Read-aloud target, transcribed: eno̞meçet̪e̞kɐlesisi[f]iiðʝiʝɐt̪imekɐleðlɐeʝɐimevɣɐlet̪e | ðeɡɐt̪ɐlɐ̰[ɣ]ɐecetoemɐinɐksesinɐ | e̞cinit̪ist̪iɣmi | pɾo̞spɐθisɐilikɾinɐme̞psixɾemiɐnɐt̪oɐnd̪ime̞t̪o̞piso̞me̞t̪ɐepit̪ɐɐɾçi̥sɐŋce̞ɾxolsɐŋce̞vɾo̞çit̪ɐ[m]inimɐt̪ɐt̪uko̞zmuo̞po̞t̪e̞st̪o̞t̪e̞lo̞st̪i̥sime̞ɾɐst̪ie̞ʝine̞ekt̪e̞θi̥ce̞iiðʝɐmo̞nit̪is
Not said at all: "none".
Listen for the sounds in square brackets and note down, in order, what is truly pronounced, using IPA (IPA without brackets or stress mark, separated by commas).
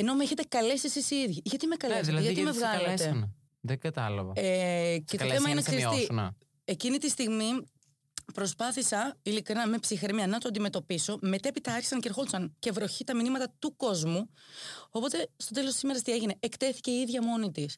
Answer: s, v, m